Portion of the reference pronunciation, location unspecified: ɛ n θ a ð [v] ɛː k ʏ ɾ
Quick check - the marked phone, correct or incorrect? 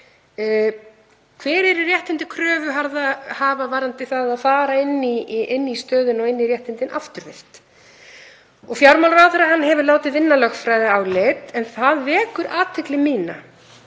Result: correct